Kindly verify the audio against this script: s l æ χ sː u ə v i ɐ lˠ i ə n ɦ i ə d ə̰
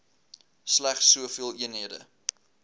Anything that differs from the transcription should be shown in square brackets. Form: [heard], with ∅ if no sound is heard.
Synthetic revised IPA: s l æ χ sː u ə [f] i [ə] lˠ i ə n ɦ i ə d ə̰